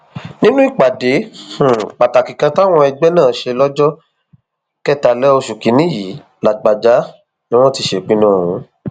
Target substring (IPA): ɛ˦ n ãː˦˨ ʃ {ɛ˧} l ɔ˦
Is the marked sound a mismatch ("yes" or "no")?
yes